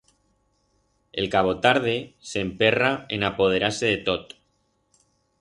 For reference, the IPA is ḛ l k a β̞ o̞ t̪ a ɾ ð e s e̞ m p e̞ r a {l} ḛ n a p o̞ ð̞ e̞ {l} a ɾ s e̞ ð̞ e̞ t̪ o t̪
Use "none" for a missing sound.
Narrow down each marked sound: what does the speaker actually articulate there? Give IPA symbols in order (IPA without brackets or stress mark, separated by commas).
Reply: none, ɾ